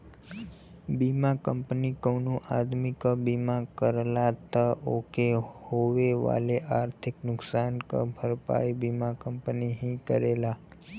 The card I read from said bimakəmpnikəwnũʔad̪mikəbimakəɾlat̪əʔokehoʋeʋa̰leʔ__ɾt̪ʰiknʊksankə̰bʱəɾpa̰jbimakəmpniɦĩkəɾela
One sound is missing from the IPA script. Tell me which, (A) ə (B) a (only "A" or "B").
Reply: B